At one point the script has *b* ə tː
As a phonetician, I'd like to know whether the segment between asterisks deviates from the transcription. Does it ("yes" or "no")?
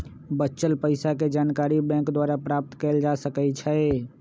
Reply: no